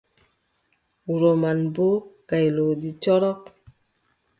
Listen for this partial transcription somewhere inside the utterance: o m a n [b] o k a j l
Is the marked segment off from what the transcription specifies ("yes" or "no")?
no